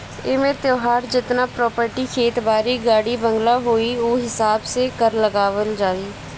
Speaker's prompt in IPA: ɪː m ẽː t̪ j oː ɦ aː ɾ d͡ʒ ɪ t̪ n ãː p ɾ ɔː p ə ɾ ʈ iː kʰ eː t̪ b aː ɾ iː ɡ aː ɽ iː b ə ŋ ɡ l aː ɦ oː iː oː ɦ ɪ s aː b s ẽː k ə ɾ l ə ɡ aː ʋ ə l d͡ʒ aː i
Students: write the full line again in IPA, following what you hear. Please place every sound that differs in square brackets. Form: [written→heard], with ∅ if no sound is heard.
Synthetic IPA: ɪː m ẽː t̪ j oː ɦ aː ɾ d͡ʒ ɪ t̪ n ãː p ɾ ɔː p ə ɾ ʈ iː kʰ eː t̪ b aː ɾ iː ɡ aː ɽ iː b ə ŋ ɡ l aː ɦ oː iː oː ɦ ɪ s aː b s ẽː k ə ɾ l ə ɡ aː ʋ ə l d͡ʒ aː [i→iː]